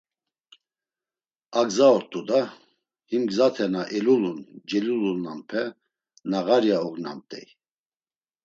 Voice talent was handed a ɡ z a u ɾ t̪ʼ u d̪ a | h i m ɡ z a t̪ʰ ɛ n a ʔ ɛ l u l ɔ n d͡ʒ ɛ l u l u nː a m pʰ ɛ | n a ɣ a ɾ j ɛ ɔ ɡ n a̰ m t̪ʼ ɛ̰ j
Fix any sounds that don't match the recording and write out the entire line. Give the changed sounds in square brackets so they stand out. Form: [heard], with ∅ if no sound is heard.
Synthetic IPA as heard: a ɡ z a [ɔ] ɾ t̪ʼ u d̪ a | h i m ɡ z a t̪ʰ ɛ n a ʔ ɛ l u l [u] n d͡ʒ ɛ l u l u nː a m pʰ ɛ | n a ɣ a ɾ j [a] ɔ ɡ n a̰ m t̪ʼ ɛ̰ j